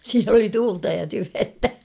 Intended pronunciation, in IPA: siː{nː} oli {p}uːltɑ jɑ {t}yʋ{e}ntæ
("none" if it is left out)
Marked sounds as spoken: n, t, t, e

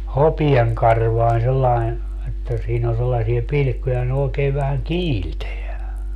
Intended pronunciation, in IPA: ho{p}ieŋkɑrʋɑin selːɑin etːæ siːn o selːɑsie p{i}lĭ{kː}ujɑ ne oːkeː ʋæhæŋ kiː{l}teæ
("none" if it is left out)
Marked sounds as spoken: p, i, kː, l

